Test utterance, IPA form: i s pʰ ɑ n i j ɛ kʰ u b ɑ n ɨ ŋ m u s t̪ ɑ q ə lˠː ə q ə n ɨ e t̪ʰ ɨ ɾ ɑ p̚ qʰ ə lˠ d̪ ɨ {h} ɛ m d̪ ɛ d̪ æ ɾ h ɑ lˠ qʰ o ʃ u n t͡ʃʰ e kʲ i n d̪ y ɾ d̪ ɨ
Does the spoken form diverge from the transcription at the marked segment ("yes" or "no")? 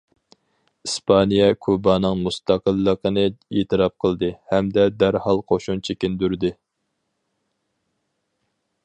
no